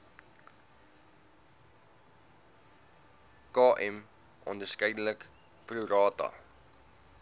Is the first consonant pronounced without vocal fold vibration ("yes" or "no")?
yes